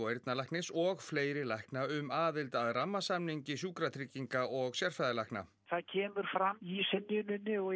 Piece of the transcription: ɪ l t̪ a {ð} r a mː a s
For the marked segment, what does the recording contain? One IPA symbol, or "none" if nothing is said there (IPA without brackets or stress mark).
ð